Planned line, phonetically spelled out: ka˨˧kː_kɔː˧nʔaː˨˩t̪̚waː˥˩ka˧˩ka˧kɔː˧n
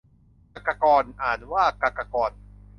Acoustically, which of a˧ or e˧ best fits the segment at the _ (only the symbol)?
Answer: a˧